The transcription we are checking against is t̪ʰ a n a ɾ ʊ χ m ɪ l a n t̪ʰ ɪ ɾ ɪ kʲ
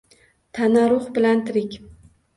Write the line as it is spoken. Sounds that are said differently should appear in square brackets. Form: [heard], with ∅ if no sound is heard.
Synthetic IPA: t̪ʰ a n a ɾ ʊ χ [b] ɪ l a n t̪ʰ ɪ ɾ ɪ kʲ